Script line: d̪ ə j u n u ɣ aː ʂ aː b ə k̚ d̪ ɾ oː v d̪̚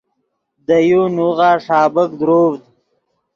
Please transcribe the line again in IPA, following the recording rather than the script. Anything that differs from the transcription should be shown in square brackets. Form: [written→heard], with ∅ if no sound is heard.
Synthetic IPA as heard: d̪ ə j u n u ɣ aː ʂ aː b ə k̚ d̪ ɾ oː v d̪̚